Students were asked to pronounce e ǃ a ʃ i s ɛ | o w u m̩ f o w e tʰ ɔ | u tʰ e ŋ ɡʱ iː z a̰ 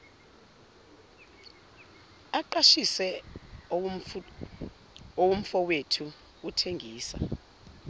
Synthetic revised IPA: a ǃ a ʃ i s ɛ | o w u m̩ f ɔ w e tʰ u | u tʰ e ŋ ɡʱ iː s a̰